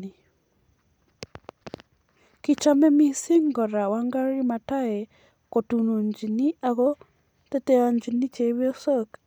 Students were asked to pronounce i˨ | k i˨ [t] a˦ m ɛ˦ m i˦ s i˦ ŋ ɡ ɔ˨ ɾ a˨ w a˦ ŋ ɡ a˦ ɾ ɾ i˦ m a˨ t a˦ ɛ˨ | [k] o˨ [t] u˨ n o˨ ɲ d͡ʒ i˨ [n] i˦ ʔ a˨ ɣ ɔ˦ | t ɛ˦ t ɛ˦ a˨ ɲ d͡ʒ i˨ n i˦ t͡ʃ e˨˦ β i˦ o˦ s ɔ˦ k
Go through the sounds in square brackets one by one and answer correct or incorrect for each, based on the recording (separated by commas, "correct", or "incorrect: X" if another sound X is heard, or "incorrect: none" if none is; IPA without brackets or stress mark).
incorrect: t͡ʃ, correct, correct, correct